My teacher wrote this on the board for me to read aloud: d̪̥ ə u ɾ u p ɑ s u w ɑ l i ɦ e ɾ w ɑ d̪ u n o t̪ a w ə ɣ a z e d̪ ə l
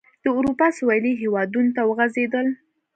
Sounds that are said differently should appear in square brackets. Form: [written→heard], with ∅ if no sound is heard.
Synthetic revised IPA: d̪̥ ə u ɾ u p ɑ s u w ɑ l i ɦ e [ɾ→∅] w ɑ d̪ u n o t̪ a w ə ɣ a z e d̪ ə l